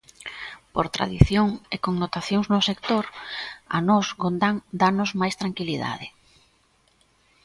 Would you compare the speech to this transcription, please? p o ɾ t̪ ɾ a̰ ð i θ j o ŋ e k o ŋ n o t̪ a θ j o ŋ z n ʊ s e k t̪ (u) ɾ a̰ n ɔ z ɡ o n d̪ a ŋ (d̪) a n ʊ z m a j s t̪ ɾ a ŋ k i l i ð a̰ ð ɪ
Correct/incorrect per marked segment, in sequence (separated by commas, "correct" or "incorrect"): incorrect, correct